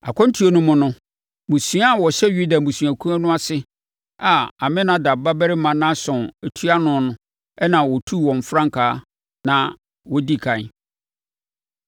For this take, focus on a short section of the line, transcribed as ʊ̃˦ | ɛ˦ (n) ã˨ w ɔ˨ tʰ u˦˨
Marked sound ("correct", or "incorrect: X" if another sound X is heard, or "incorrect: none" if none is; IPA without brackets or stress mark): correct